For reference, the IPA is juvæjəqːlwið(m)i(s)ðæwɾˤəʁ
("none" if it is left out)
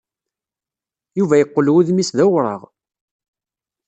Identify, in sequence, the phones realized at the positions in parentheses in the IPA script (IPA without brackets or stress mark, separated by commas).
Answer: m, s